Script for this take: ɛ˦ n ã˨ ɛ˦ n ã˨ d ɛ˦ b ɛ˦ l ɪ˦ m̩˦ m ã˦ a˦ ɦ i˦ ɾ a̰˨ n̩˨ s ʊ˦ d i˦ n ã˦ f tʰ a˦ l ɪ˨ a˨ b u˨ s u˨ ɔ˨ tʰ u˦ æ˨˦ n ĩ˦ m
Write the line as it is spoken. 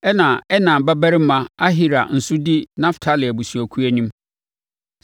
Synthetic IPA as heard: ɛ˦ n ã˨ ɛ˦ n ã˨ b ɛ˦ b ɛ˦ ɾ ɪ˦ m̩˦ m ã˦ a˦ ɦ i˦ ɾ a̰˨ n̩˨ s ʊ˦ d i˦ n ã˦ f tʰ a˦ l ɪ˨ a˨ b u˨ s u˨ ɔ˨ kʰ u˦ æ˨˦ n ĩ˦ m